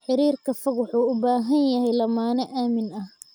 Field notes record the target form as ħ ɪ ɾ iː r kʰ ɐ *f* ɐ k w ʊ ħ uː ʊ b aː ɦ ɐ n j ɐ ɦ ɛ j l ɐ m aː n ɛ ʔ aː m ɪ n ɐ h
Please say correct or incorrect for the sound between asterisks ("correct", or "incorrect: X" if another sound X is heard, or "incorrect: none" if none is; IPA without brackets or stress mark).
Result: correct